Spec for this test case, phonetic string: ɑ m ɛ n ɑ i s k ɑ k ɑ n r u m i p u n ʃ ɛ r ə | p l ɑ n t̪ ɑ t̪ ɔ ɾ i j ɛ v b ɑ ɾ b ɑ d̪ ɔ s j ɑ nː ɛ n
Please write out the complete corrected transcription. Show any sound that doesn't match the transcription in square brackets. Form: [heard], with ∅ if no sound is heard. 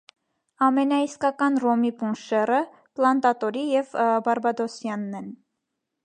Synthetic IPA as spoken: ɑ m ɛ n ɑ i s k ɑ k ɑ n r [ɔ] m i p u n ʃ ɛ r ə | p l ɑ n t̪ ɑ t̪ ɔ ɾ i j ɛ v b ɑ ɾ b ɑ d̪ ɔ s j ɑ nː ɛ n